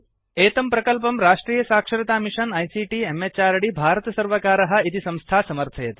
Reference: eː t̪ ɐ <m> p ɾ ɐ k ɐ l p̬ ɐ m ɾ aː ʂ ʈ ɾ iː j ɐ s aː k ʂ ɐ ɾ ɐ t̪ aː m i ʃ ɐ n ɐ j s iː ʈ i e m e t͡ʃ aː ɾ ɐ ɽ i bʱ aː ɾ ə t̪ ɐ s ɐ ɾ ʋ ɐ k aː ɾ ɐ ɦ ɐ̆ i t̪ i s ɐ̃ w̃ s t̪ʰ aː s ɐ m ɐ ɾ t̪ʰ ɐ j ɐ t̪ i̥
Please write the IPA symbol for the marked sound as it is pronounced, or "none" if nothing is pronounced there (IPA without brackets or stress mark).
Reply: m